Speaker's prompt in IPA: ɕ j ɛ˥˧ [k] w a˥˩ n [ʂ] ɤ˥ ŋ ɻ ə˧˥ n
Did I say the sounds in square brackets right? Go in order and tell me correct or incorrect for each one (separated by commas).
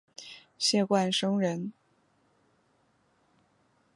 correct, correct